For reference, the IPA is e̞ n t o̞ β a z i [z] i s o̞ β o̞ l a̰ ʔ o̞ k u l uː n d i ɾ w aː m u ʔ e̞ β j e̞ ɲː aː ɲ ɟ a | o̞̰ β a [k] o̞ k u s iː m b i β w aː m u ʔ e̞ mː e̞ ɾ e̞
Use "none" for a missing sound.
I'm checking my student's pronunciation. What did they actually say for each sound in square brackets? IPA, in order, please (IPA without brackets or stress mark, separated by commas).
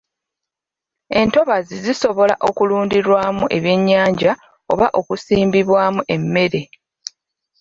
z, ʔ